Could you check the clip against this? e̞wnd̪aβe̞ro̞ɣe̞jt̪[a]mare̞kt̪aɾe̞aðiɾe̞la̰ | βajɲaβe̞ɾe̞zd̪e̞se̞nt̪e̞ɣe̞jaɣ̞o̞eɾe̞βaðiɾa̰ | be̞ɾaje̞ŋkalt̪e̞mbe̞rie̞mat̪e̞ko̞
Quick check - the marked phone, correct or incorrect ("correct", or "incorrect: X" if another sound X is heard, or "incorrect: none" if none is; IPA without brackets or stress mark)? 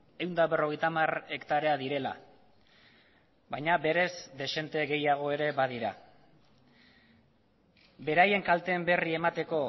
correct